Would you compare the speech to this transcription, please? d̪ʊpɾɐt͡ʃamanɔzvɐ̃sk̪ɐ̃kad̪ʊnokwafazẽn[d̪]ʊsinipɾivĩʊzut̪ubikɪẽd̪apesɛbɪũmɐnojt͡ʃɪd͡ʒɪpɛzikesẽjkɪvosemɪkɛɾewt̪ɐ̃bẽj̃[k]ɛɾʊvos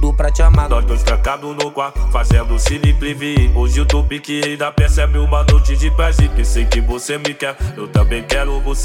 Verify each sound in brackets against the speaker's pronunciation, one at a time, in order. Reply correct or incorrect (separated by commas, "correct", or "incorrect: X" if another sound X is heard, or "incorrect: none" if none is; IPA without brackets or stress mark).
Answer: correct, correct